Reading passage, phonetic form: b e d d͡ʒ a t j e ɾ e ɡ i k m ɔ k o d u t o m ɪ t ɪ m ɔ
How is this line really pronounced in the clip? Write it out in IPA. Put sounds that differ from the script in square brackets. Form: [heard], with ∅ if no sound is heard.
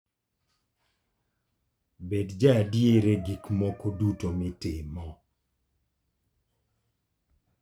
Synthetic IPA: b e d d͡ʒ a [d] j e ɾ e ɡ i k m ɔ k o d u t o m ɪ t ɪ m ɔ